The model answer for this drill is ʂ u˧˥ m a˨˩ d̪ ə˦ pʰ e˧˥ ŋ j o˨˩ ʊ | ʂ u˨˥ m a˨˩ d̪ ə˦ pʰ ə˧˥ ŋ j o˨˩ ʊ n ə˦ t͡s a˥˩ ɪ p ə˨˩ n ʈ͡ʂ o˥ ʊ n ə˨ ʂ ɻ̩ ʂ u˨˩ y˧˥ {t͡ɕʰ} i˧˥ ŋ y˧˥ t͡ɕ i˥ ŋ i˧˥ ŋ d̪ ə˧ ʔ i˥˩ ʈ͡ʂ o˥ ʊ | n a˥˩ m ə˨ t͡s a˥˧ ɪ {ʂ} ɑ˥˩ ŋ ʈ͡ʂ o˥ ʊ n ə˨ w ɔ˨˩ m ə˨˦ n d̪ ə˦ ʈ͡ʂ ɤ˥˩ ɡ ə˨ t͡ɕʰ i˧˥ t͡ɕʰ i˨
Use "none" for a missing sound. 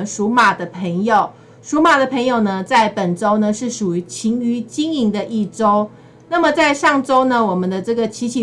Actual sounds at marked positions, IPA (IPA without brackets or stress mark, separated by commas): t͡ɕʰ, ʂ